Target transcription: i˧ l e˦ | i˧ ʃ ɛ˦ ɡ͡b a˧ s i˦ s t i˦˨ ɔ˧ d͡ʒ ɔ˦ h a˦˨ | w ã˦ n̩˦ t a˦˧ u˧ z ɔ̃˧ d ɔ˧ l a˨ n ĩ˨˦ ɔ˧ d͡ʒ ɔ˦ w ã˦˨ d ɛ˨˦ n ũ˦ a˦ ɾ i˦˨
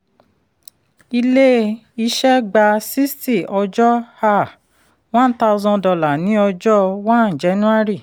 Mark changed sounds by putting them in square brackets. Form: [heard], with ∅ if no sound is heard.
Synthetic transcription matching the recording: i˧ l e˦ | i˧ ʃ ɛ˦ ɡ͡b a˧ s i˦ s t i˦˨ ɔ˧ d͡ʒ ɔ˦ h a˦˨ | w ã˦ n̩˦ t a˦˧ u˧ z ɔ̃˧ d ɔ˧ l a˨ n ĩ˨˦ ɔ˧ d͡ʒ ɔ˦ w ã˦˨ [d͡ʒ] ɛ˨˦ n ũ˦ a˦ ɾ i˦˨